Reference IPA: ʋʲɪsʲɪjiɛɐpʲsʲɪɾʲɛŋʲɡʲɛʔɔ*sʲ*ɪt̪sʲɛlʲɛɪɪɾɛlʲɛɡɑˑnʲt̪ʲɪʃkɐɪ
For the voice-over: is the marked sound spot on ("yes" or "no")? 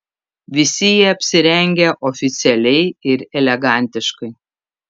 no